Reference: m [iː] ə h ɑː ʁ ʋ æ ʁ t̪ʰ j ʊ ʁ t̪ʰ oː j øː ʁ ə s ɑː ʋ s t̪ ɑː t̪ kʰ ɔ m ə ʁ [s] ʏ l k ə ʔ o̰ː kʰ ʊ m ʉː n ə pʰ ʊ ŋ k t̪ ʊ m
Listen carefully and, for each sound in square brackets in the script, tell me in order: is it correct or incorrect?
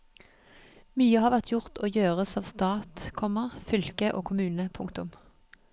incorrect: yː, incorrect: f

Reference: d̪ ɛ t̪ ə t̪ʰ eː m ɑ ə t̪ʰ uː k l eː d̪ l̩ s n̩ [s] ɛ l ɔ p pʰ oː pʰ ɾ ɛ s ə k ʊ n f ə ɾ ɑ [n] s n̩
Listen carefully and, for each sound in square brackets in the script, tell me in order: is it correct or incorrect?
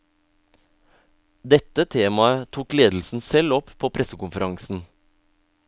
correct, incorrect: ŋ

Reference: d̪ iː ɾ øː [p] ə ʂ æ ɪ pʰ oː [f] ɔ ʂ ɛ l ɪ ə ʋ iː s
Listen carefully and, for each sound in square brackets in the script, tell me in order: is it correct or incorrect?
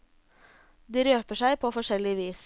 correct, correct

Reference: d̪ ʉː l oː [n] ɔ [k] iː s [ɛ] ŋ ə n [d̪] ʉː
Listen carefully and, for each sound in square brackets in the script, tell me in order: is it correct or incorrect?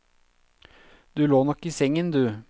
correct, correct, correct, correct

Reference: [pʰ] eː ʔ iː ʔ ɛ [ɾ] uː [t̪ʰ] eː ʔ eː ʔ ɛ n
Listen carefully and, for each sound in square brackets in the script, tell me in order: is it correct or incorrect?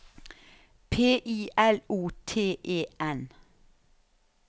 correct, incorrect: l, correct

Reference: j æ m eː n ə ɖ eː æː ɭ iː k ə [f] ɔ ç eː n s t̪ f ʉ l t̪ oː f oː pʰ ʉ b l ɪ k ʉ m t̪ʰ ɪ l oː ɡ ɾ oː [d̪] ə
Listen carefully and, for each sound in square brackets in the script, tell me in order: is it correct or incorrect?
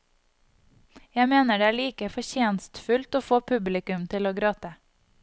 correct, incorrect: t̪

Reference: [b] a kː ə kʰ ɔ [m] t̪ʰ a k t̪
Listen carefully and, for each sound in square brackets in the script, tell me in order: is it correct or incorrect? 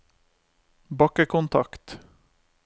correct, incorrect: n

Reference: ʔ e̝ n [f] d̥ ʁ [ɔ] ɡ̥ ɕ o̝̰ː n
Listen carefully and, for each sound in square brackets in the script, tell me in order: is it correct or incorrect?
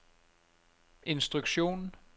incorrect: s, incorrect: u

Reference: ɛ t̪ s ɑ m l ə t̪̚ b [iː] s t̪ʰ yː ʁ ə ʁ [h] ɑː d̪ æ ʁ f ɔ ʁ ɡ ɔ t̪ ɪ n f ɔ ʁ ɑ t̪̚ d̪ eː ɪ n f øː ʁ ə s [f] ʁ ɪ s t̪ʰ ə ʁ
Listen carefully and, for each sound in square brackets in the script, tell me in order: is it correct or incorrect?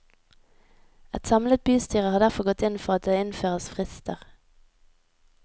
incorrect: yː, correct, correct

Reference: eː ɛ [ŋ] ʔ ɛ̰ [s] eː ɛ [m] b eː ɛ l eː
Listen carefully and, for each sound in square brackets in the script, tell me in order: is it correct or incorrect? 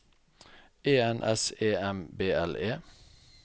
incorrect: n, correct, correct

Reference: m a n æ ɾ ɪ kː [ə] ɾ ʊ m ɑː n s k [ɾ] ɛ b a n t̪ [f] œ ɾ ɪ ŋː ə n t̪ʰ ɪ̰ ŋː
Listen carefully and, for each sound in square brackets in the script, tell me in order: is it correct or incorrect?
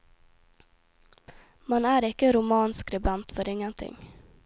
correct, correct, correct

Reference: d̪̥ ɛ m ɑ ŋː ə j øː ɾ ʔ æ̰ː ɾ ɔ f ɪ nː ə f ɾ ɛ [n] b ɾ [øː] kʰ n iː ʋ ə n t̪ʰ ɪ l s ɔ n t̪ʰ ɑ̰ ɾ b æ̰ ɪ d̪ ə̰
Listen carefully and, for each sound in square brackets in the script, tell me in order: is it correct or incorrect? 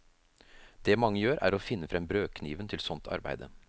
incorrect: m, correct

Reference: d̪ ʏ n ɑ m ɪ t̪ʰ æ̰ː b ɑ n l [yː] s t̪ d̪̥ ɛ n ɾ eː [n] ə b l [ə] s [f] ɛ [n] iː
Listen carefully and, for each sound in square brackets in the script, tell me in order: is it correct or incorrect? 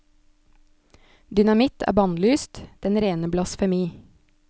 correct, correct, incorrect: ɑ, correct, incorrect: m

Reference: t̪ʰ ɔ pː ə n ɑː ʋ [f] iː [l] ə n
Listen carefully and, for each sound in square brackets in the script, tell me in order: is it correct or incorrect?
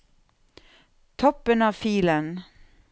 correct, correct

